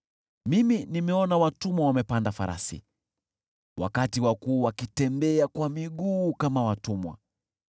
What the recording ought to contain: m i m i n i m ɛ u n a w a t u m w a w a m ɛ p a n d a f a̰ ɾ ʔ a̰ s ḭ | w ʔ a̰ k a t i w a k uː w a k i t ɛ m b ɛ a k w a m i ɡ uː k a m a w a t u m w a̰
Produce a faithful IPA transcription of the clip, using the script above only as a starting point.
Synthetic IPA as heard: m i m i n i m ɛ ɔ n a w a t u m w a w a m ɛ p a n d a f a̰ ɾ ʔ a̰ s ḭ | w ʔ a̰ k a t i w a k uː w a k i t ɛ m b ɛ a k w a m i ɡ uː k a m a w a t u m w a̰